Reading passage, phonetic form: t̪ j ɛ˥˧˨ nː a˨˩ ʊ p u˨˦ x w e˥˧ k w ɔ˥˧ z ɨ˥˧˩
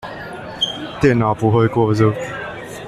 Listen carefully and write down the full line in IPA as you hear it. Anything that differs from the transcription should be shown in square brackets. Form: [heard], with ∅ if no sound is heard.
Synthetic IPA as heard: t̪ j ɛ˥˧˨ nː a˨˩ ʊ p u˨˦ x w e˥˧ k w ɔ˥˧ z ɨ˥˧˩